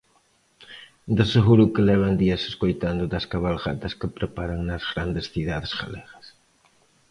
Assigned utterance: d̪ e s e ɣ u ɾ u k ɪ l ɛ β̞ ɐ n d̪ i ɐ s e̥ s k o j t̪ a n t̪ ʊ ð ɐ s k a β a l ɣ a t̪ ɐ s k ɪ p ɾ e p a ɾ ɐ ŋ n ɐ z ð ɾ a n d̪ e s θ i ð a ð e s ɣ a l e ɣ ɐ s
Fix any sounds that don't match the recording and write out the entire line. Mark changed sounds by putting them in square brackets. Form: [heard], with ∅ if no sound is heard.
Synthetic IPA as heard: d̪ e s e ɣ u ɾ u k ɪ l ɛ β̞ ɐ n d̪ i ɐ s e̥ s k o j t̪ a n [d̪] ʊ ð ɐ s k a β a l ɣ a t̪ ɐ s k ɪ p ɾ e p a ɾ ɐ ŋ n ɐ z [ɣ] ɾ a n d̪ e s θ i ð a ð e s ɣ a l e ɣ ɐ s